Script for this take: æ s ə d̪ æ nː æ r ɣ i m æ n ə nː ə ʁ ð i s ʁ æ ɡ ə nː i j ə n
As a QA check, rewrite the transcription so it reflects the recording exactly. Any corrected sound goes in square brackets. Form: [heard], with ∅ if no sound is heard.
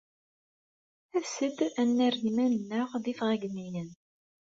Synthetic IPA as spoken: æ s ə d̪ æ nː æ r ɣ i m æ n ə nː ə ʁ ð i [f] ʁ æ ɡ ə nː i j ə n